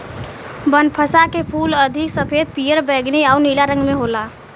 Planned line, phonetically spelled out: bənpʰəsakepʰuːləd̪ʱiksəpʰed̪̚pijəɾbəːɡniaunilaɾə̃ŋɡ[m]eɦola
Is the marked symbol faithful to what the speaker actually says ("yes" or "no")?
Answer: yes